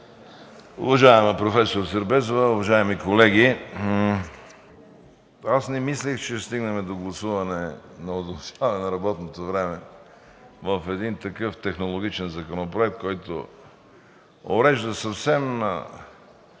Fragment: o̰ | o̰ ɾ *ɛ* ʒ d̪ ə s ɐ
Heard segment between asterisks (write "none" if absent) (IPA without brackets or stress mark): ɛ